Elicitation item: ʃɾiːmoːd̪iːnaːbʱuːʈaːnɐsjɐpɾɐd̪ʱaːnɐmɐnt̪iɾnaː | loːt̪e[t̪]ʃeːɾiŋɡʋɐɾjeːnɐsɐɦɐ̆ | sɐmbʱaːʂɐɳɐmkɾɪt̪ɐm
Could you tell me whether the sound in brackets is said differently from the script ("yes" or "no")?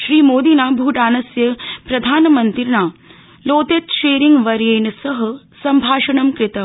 no